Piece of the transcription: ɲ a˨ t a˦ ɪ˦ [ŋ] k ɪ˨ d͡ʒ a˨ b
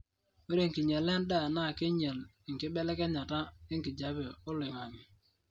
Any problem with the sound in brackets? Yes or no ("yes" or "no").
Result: no